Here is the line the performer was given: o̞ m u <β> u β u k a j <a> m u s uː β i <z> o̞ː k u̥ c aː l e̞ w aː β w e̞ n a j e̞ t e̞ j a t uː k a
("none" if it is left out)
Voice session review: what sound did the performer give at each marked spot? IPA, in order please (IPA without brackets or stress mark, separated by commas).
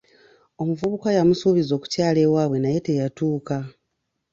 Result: v, a, z